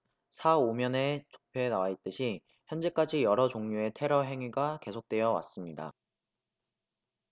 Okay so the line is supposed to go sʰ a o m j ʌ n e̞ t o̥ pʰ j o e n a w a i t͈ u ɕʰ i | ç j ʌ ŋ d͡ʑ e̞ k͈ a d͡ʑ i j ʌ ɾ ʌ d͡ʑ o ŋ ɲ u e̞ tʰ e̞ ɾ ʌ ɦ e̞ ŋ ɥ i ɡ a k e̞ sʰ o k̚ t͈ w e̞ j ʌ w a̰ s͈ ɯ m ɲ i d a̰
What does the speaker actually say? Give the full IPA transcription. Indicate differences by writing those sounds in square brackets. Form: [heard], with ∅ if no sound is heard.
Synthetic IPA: sʰ a o m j ʌ n e̞ [t͡ɕ] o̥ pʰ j o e n a w a i t͈ [ɯ] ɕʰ i | ç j ʌ [n] d͡ʑ e̞ k͈ a d͡ʑ i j ʌ ɾ ʌ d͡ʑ o ŋ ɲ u e̞ tʰ e̞ ɾ ʌ ɦ e̞ ŋ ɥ i ɡ a k e̞ sʰ o k̚ t͈ w e̞ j ʌ w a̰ s͈ ɯ m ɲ i d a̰

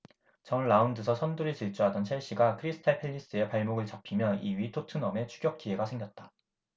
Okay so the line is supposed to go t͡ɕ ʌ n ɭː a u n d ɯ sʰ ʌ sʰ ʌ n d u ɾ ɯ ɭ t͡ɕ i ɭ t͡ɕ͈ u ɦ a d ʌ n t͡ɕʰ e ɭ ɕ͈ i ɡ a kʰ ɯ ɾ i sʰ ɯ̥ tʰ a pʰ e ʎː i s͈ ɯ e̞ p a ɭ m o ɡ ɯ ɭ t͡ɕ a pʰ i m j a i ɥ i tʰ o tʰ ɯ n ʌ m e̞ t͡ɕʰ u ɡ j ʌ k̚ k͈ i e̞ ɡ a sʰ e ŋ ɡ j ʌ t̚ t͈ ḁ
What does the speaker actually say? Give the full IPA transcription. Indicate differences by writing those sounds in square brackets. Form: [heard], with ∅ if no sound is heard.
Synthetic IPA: t͡ɕ ʌ n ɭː a u n d ɯ sʰ ʌ sʰ ʌ n d u ɾ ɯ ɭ t͡ɕ i ɭ t͡ɕ͈ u ɦ a d ʌ n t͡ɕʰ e ɭ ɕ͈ i ɡ a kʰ ɯ ɾ i sʰ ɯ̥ tʰ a pʰ e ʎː i s͈ ɯ e̞ p a ɭ m o ɡ ɯ ɭ t͡ɕ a pʰ i m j [ʌ] i ɥ i tʰ o tʰ ɯ n ʌ m e̞ t͡ɕʰ u ɡ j ʌ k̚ k͈ i e̞ ɡ a sʰ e ŋ ɡ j ʌ t̚ t͈ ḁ

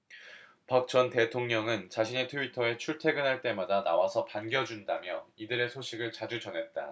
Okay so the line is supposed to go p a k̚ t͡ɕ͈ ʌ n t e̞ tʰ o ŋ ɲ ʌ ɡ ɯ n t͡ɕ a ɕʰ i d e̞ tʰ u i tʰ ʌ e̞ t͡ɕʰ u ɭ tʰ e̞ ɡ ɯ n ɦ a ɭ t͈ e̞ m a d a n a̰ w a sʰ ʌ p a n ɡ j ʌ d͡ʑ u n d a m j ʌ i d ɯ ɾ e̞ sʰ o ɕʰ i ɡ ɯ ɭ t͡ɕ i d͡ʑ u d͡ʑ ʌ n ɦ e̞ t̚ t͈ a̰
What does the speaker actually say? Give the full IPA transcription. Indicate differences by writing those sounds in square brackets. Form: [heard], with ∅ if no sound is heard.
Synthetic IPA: p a k̚ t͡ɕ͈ ʌ n t e̞ tʰ o ŋ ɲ ʌ [ŋ] ɯ n t͡ɕ a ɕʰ i [n] e̞ tʰ u i tʰ ʌ e̞ t͡ɕʰ u ɭ tʰ e̞ ɡ ɯ n ɦ a ɭ t͈ e̞ m a d a n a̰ w a sʰ ʌ p a n ɡ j ʌ d͡ʑ u n d a m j ʌ i d ɯ ɾ e̞ sʰ o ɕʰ i ɡ ɯ ɭ t͡ɕ [a] d͡ʑ u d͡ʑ ʌ n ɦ e̞ t̚ t͈ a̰

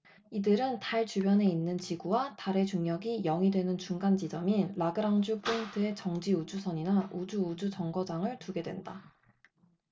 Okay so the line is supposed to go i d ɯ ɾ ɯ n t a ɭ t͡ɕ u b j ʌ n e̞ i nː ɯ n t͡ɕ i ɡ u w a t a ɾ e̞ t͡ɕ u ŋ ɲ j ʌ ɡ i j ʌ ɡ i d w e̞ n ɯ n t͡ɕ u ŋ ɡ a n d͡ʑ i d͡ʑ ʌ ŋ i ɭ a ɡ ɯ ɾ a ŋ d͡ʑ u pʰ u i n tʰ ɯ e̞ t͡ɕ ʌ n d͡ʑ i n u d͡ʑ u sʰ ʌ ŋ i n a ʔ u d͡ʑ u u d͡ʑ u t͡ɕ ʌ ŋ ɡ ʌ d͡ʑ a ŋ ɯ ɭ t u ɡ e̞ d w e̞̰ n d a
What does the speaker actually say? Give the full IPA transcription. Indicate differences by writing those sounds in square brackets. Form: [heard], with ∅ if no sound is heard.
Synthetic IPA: i d ɯ ɾ ɯ n t a ɭ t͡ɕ u b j ʌ n e̞ i nː ɯ n t͡ɕ i ɡ u w a t a ɾ e̞ t͡ɕ u ŋ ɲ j ʌ ɡ i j ʌ [ŋ] i d w e̞ n ɯ n t͡ɕ u ŋ ɡ a n d͡ʑ i d͡ʑ ʌ [m] i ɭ a ɡ ɯ ɾ a ŋ d͡ʑ u pʰ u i n tʰ ɯ e̞ t͡ɕ ʌ [ŋ] d͡ʑ i [∅] u d͡ʑ u sʰ ʌ [ɲ] i n a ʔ u d͡ʑ u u d͡ʑ u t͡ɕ ʌ ŋ ɡ ʌ d͡ʑ a ŋ ɯ ɭ t u ɡ e̞ d w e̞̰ n d a

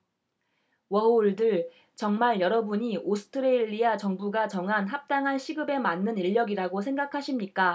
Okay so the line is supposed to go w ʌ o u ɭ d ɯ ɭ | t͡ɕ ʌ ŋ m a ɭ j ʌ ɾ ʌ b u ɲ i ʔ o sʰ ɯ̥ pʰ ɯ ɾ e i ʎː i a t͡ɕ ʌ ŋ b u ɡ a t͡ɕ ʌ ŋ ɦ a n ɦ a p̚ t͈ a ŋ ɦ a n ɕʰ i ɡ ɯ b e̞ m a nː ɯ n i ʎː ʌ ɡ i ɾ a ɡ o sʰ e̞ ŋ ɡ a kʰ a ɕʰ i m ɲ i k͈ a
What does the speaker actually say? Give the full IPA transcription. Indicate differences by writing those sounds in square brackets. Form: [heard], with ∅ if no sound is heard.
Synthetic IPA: w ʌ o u ɭ d ɯ ɭ | t͡ɕ ʌ ŋ m a ɭ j ʌ ɾ ʌ b u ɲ i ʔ o sʰ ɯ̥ [tʰ] ɯ ɾ e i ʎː i a t͡ɕ ʌ ŋ b u ɡ a t͡ɕ ʌ ŋ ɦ a n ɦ a p̚ t͈ a ŋ ɦ a n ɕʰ i ɡ ɯ b e̞ m a nː ɯ n i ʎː ʌ ɡ i ɾ a ɡ o sʰ e̞ ŋ ɡ a kʰ a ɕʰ i m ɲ i k͈ a

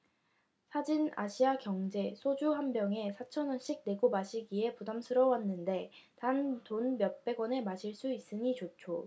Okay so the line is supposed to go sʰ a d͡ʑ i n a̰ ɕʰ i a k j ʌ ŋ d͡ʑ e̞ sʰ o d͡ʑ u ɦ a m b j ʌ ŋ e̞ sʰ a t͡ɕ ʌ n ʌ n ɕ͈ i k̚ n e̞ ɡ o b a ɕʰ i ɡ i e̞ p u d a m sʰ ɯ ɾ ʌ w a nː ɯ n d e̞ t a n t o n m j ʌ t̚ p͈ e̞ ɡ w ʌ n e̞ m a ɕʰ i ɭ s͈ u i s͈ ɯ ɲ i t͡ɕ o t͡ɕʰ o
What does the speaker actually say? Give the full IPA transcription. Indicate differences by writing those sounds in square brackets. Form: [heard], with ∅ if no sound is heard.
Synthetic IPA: sʰ a d͡ʑ i n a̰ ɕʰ i a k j ʌ ŋ d͡ʑ e̞ sʰ o d͡ʑ u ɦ a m b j ʌ ŋ e̞ sʰ a [t͡ɕʰ] ʌ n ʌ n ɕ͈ i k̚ n e̞ ɡ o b a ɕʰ i ɡ i e̞ p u d a m sʰ ɯ ɾ ʌ w a nː ɯ n d e̞ t a n t o n m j ʌ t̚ p͈ e̞ ɡ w ʌ n e̞ m a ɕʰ i ɭ s͈ u i s͈ ɯ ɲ i t͡ɕ o t͡ɕʰ o

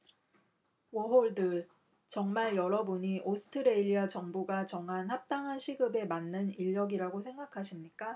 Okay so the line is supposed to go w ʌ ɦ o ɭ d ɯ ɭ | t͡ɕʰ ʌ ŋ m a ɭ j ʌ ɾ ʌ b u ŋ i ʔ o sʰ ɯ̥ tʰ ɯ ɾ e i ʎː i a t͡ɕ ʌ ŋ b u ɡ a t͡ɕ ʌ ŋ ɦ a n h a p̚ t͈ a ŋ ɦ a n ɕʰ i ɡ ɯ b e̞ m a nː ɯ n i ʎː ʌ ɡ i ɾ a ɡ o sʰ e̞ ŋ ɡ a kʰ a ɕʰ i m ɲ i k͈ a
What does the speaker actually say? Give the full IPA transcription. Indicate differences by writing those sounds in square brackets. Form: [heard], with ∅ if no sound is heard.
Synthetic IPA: w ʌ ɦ o ɭ d ɯ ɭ | [t͡ɕ] ʌ ŋ m a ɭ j ʌ ɾ ʌ b u [ɲ] i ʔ o sʰ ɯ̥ tʰ ɯ ɾ e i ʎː i a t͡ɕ ʌ ŋ b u ɡ a t͡ɕ ʌ ŋ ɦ a n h a p̚ t͈ a ŋ ɦ a n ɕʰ i ɡ ɯ b e̞ m a nː ɯ n i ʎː ʌ ɡ i ɾ a ɡ o sʰ e̞ ŋ ɡ a kʰ a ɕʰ i m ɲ i k͈ a

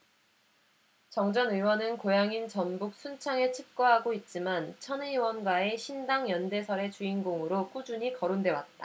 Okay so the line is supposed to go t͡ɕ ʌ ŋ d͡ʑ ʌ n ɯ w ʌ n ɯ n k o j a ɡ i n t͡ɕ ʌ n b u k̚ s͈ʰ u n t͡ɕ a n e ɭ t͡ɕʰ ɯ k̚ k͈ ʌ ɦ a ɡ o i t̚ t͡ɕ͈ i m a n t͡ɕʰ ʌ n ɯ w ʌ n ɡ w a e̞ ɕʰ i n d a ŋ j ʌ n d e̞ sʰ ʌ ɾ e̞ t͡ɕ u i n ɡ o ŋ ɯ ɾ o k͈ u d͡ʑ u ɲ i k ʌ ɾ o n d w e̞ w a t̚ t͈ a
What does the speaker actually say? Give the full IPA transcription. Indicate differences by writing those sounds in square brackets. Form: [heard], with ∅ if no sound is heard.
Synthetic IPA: t͡ɕ ʌ ŋ d͡ʑ ʌ n ɯ w ʌ n ɯ n k o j a [ŋ] i n t͡ɕ ʌ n b u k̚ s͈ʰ u n [t͡ɕʰ] a [ŋ] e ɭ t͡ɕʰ ɯ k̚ k͈ ʌ ɦ a ɡ o i t̚ t͡ɕ͈ i m a n t͡ɕʰ ʌ n ɯ w ʌ n ɡ w a e̞ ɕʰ i n d a ŋ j ʌ n d e̞ sʰ ʌ ɾ e̞ t͡ɕ u i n ɡ o ŋ ɯ ɾ o k͈ u d͡ʑ u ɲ i k ʌ ɾ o n d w e̞ w a t̚ t͈ a

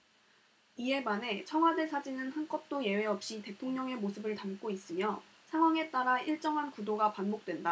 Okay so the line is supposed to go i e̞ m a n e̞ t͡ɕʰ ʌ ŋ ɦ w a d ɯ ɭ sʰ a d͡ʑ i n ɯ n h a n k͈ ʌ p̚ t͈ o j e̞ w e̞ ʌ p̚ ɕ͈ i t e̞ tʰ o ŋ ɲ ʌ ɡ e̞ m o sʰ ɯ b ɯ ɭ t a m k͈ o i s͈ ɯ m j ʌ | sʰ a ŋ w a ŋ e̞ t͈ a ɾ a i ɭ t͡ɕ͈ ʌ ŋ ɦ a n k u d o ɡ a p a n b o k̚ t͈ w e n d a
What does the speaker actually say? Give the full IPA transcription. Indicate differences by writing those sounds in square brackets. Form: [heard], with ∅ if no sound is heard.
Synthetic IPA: i e̞ m a n e̞ t͡ɕʰ ʌ ŋ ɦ w a d ɯ ɭ sʰ a d͡ʑ i n ɯ n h a n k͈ ʌ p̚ t͈ o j e̞ w e̞ ʌ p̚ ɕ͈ i t e̞ tʰ o ŋ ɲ ʌ [ŋ] e̞ m o sʰ ɯ b ɯ ɭ t a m k͈ o i s͈ ɯ m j ʌ | sʰ a ŋ w a ŋ e̞ t͈ a ɾ a i ɭ t͡ɕ͈ ʌ ŋ ɦ a n k u d o ɡ a p a n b o k̚ t͈ w e n d a

